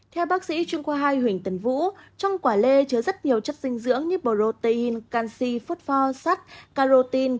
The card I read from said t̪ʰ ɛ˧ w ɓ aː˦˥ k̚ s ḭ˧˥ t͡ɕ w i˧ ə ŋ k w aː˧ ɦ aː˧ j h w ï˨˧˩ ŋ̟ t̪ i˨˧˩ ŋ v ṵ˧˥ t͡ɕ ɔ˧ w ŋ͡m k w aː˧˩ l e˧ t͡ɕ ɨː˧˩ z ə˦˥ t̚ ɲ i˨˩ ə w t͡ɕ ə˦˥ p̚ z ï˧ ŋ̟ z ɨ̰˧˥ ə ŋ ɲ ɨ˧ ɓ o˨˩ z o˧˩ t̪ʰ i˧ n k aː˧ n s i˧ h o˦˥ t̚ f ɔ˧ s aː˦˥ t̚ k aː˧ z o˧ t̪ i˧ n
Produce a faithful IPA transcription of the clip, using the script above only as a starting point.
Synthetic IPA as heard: t̪ʰ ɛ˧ w ɓ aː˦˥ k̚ s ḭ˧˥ t͡ɕ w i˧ ə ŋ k w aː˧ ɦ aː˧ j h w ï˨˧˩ ŋ̟ t̪ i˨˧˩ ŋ v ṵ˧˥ t͡ɕ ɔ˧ w ŋ͡m k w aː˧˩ l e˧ t͡ɕ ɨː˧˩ z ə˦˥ t̚ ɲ i˨˩ ə w t͡ɕ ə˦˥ t̚ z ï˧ ŋ̟ z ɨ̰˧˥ ə ŋ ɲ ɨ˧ ɓ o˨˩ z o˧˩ t̪ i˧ n k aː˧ n s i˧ f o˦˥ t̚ f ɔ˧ s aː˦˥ t̚ k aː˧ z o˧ t̪ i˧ n